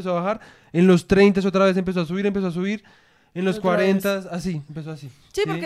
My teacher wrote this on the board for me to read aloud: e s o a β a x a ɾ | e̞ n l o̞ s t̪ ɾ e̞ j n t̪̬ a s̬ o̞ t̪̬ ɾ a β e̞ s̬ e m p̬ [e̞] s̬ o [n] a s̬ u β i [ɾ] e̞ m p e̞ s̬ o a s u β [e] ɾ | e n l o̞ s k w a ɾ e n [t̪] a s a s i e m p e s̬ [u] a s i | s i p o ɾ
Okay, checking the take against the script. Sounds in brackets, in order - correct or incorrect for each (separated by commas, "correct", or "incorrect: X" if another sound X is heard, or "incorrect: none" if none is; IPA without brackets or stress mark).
correct, incorrect: none, correct, incorrect: i, correct, incorrect: o